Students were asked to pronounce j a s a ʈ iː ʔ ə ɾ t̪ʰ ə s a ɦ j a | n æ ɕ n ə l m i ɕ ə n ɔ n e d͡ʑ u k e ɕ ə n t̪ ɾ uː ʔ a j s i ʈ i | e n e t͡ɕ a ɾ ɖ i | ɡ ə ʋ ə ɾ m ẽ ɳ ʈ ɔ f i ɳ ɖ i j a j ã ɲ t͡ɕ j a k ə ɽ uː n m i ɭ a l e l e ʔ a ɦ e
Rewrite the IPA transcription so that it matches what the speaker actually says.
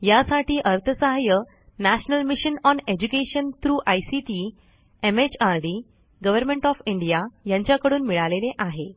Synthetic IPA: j a s a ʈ iː ʔ ə ɾ t̪ʰ ə s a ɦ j ə | n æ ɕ n ə l m i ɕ ə n ɔ n e d͡ʑ u k e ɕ ə n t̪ ɾ uː ʔ a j s i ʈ i | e m e t͡ɕ a ɾ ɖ i | ɡ ə ʋ ə ɾ m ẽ ɳ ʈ ɔ f i ɳ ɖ i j a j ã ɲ t͡ɕ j a k ə ɽ uː n m i ɭ a l e l e ʔ a ɦ e